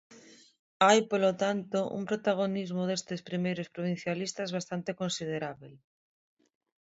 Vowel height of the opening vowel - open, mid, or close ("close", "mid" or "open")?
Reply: open